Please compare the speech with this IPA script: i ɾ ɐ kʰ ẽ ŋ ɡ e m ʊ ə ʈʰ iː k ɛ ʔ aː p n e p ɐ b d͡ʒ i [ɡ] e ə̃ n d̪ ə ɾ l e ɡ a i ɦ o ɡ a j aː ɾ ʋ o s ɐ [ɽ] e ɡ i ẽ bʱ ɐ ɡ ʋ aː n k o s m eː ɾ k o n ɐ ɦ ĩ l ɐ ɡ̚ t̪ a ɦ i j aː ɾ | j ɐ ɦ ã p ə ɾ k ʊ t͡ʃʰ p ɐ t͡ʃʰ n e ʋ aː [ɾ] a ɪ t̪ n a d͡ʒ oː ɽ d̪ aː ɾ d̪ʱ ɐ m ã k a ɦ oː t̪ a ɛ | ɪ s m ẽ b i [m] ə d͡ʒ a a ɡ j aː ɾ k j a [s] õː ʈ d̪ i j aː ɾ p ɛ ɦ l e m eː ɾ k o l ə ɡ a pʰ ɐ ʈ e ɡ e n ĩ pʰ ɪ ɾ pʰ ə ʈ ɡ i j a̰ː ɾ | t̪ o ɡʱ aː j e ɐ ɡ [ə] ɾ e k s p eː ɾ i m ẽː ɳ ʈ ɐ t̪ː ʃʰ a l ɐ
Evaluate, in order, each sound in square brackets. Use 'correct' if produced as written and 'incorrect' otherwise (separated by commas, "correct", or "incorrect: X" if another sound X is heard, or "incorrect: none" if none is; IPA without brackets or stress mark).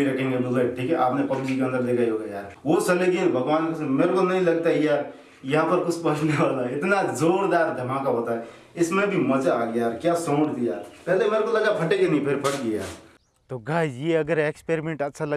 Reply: incorrect: k, incorrect: l, incorrect: l, correct, correct, correct